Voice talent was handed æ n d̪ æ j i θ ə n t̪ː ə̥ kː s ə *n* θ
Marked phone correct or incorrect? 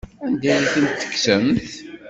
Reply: incorrect